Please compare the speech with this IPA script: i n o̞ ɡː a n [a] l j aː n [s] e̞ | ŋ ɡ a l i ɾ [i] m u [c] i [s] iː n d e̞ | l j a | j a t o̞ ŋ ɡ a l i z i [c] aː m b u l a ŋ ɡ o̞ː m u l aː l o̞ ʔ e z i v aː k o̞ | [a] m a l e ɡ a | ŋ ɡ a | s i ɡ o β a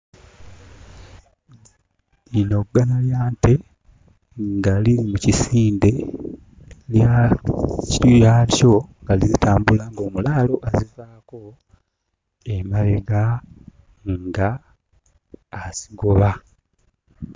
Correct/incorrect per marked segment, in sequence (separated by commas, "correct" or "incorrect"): correct, incorrect, correct, correct, correct, incorrect, incorrect